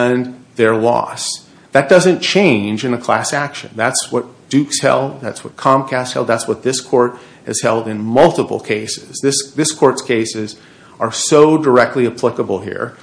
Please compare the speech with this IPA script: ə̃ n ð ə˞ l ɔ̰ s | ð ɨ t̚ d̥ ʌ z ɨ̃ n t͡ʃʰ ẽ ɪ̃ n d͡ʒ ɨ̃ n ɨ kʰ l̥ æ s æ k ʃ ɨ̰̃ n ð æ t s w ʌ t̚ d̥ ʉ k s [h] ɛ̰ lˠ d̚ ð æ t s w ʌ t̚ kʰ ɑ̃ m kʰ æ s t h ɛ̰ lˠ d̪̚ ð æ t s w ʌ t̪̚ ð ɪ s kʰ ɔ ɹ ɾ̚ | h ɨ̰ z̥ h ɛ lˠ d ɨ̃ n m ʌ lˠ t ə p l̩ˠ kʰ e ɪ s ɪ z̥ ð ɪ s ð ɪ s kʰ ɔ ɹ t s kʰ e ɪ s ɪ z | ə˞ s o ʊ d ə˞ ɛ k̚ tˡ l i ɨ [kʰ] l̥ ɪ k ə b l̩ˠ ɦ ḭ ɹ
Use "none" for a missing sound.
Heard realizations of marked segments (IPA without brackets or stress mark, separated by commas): h, pʰ